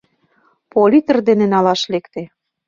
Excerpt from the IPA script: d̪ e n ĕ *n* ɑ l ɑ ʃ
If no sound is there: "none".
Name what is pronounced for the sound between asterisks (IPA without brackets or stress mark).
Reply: n